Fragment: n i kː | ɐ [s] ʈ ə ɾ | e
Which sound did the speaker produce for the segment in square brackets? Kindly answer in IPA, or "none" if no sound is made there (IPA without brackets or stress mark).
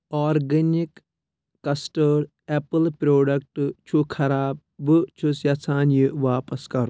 s